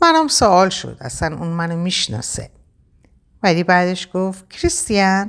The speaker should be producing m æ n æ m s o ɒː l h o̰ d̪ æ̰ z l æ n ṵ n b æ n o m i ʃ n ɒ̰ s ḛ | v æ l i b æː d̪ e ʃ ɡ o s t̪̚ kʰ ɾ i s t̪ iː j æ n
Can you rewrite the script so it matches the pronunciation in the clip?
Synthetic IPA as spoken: m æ n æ m s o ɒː l ʃ o̰ d̪ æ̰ s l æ n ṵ n m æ n o m i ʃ n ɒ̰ s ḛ | v æ l i b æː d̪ e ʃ ɡ o f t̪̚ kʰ ɾ i s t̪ i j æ n